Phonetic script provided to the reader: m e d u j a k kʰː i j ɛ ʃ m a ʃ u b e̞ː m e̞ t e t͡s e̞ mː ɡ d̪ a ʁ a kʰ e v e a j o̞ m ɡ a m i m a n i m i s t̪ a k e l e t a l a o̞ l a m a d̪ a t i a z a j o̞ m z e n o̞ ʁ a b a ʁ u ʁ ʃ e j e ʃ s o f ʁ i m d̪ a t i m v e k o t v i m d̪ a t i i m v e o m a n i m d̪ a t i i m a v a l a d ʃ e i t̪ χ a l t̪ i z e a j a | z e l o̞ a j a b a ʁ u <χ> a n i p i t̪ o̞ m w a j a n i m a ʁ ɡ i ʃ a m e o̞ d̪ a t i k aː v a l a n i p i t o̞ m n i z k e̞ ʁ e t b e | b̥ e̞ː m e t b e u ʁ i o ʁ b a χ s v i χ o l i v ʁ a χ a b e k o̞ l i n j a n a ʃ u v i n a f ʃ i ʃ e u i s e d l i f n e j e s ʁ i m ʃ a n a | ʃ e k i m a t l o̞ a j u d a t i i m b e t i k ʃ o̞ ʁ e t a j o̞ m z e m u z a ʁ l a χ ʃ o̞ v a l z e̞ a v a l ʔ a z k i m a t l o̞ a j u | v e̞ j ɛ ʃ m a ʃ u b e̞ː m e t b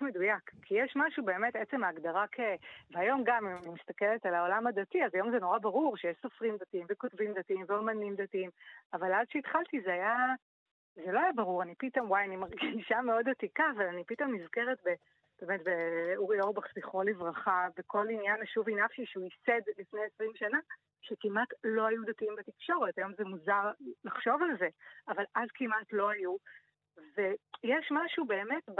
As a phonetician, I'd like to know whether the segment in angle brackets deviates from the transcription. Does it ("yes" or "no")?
yes